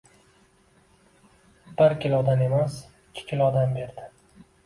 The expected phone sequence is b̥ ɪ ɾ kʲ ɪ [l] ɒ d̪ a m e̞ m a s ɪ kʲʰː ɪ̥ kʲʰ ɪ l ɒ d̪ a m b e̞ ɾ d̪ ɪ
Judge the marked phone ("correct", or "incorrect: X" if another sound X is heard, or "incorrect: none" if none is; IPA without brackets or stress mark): correct